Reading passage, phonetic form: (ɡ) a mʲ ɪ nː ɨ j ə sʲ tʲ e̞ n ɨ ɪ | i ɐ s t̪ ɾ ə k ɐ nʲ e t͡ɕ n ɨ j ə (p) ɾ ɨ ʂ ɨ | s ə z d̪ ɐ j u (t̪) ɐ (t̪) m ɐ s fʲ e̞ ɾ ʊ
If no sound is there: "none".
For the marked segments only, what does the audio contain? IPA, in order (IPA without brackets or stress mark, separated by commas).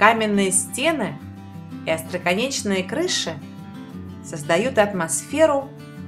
k, k, t̪, t̪